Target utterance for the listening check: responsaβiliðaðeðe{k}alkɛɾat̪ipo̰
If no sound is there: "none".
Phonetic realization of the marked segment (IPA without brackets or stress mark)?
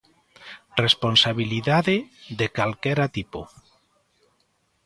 k